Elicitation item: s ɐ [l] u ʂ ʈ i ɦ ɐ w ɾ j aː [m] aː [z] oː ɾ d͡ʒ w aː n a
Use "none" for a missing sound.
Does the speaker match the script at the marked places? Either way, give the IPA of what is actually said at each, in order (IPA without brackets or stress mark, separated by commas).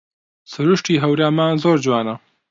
ɾ, m, z